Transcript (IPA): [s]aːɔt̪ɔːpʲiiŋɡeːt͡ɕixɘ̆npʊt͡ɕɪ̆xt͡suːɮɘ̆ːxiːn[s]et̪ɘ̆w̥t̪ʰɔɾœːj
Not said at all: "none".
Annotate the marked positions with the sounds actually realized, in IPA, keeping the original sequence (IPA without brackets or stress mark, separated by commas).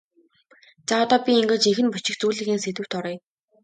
t͡s, s